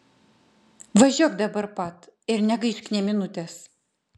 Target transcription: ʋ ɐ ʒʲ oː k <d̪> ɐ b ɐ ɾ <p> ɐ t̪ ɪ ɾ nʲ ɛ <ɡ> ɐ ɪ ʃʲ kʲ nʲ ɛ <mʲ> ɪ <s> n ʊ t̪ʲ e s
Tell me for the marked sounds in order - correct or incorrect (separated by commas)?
correct, correct, correct, correct, incorrect